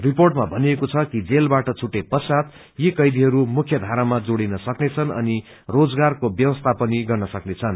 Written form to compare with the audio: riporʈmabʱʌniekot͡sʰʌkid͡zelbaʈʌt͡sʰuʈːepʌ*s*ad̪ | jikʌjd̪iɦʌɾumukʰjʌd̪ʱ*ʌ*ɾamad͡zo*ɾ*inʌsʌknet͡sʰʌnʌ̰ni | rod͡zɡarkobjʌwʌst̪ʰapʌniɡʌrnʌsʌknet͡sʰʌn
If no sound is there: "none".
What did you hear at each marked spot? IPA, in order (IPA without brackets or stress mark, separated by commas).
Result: s, a, ɽ